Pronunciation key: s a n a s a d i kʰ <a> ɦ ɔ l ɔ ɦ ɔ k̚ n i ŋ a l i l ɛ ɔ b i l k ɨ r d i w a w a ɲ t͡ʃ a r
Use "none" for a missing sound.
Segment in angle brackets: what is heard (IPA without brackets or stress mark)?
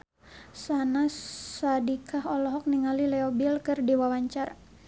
a